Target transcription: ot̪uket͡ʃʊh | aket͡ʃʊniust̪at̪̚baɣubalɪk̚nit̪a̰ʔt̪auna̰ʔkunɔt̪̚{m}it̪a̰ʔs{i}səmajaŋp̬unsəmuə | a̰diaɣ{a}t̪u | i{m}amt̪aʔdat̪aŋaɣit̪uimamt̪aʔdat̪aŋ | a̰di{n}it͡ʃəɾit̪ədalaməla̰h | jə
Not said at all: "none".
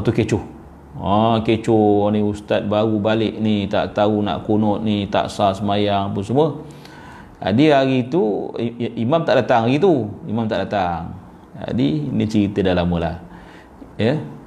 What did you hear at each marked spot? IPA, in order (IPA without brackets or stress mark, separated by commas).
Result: n, a, i, m, n